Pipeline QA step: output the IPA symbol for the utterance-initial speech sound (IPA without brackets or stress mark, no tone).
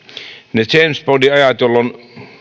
n